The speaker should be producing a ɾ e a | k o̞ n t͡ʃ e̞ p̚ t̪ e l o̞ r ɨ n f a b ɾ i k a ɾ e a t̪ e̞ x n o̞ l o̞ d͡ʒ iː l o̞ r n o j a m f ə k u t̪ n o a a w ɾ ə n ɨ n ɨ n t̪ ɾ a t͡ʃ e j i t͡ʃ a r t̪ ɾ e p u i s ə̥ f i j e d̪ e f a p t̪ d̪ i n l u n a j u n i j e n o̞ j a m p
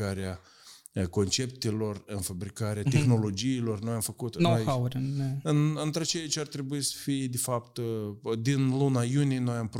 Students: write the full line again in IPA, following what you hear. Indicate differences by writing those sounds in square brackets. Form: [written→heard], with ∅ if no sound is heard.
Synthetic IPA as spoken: a ɾ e a | k o̞ n t͡ʃ e̞ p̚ t̪ e l o̞ r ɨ n f a b ɾ i k a ɾ e a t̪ e̞ x n o̞ l o̞ d͡ʒ iː l o̞ r n o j a m f ə k u t̪ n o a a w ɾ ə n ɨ n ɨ n t̪ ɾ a t͡ʃ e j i t͡ʃ a r t̪ ɾ e [p→b] u i s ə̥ f i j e d̪ e f a p t̪ d̪ i n l u n a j u n i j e n o̞ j a m p